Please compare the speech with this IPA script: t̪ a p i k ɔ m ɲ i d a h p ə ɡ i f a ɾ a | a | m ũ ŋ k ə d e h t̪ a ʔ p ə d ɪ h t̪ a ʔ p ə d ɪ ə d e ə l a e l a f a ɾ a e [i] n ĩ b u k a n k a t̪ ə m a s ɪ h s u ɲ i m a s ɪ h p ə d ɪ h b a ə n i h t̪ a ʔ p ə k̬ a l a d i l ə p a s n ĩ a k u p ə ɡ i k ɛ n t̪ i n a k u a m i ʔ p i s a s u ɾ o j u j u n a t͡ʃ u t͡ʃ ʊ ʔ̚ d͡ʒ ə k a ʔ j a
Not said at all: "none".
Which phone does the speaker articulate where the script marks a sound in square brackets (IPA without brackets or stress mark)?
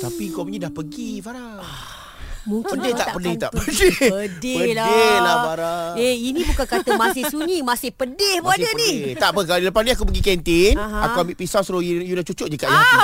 i